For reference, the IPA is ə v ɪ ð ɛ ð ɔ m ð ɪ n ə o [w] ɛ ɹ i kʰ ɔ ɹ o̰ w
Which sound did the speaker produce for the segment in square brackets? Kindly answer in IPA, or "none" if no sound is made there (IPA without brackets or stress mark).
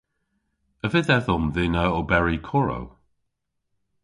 b